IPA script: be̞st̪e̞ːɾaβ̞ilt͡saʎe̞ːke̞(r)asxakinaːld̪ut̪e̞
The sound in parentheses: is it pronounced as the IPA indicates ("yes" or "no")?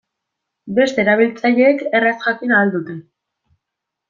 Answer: yes